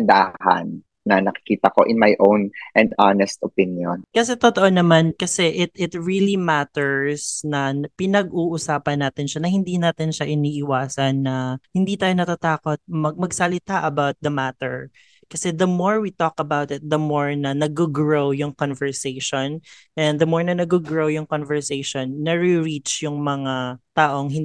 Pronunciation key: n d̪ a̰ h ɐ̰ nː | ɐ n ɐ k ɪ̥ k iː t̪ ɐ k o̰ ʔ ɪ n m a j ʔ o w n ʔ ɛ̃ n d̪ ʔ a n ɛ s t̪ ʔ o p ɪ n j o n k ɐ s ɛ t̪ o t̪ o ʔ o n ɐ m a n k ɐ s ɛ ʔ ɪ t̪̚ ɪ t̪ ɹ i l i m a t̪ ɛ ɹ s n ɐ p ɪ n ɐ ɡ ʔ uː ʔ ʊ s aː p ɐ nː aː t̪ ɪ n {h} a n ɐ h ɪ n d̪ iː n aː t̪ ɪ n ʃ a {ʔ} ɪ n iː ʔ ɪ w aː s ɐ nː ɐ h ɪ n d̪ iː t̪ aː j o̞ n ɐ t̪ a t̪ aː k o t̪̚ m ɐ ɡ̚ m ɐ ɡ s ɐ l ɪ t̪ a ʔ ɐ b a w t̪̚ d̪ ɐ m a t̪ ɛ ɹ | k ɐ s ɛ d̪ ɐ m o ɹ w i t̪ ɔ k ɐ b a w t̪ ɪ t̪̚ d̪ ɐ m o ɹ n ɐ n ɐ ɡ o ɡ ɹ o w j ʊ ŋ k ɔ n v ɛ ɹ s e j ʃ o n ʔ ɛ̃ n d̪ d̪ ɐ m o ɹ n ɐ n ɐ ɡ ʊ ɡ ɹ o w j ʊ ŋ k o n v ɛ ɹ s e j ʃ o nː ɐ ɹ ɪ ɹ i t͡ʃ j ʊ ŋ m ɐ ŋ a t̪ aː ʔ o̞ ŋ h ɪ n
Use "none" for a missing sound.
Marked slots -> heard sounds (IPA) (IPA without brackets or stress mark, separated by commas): ʃ, ʔ